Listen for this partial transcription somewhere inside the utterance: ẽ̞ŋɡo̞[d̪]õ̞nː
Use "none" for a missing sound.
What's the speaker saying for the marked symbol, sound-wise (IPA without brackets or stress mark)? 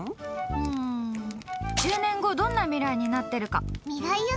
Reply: d̪